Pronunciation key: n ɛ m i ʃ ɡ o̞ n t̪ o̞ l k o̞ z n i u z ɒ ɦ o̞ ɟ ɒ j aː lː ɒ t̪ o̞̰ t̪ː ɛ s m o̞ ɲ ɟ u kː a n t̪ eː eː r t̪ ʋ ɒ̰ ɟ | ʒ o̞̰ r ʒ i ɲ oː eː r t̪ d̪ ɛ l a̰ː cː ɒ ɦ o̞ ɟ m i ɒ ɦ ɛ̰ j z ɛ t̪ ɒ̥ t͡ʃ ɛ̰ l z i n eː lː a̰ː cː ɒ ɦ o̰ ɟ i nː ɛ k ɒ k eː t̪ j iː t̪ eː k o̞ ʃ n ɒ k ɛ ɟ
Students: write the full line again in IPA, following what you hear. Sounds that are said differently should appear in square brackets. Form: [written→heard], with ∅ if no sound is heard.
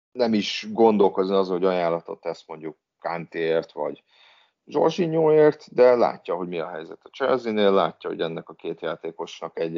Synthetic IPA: n ɛ m i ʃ ɡ o̞ n [t̪→d̪] o̞ l k o̞ z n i [u→ɒ] z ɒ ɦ o̞ ɟ ɒ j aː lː ɒ t̪ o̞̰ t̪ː ɛ s m o̞ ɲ ɟ u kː a n t̪ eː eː r t̪ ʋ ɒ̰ ɟ | ʒ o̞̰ r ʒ i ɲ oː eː r t̪ d̪ ɛ l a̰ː cː ɒ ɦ o̞ ɟ m i ɒ ɦ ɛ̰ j z ɛ t̪ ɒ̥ t͡ʃ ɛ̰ l z i n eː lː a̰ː cː ɒ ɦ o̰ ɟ [i→ɛ] nː ɛ k ɒ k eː t̪ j [iː→aː] t̪ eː k o̞ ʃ n ɒ k ɛ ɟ